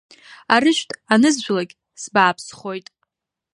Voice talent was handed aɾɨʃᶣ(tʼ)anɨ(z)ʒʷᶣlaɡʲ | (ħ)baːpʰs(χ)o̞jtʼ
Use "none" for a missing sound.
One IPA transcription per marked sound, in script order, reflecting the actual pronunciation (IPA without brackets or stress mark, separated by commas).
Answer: tʼ, z, s, χ